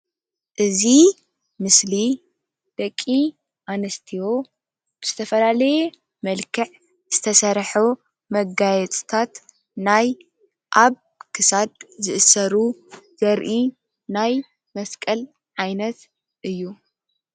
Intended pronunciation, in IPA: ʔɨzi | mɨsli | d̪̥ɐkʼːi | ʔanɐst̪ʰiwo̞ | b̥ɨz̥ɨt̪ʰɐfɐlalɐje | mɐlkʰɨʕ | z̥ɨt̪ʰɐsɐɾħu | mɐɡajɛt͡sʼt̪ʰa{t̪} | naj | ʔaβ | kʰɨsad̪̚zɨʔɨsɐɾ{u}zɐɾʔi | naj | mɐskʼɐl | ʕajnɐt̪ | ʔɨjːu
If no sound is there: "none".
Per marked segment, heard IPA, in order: t̪, u

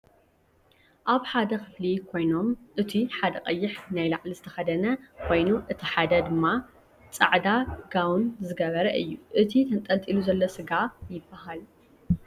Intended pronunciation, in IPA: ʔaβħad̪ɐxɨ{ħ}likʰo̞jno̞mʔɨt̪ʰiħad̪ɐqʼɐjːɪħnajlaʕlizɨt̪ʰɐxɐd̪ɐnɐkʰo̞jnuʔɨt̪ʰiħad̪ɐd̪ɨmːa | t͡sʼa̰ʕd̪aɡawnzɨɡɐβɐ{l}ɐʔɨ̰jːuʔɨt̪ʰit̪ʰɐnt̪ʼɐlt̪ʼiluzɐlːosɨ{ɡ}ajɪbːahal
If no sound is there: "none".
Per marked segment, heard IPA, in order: f, ɾ, ɡ

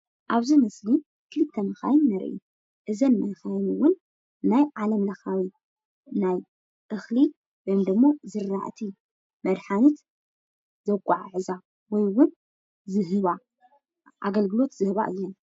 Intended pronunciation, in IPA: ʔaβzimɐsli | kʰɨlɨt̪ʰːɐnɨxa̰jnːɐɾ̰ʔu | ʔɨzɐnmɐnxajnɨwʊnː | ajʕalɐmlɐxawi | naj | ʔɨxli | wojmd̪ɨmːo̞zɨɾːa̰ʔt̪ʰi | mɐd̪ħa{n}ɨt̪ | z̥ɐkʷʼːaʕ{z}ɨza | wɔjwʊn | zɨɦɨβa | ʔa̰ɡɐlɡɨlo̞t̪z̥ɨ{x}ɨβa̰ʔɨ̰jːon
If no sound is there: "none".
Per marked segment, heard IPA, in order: n, ʕ, h

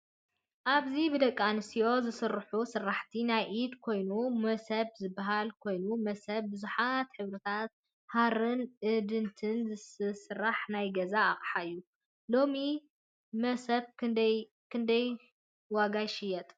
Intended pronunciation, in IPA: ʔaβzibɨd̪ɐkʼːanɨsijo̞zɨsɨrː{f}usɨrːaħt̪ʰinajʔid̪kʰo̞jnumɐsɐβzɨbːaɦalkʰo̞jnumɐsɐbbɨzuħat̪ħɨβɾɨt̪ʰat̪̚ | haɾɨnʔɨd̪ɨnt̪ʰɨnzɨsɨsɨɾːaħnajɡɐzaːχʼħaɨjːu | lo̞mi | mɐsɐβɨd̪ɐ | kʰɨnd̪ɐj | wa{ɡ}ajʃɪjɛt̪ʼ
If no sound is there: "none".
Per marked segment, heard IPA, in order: ħ, ɡ

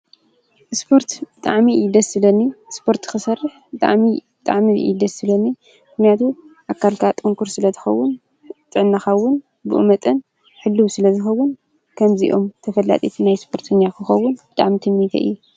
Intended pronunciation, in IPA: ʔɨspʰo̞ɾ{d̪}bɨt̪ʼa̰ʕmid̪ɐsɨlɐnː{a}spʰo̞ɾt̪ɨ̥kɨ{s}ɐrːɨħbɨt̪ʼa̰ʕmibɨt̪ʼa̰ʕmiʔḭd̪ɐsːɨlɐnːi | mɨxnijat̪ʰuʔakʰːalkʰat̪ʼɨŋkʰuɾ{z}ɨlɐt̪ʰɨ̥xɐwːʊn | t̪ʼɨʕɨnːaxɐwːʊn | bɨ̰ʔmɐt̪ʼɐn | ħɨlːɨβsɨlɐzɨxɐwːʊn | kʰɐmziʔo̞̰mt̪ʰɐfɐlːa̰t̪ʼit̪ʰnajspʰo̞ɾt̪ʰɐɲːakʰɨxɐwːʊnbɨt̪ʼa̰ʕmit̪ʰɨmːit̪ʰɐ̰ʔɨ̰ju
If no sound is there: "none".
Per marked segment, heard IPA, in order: t̪, i, s, s

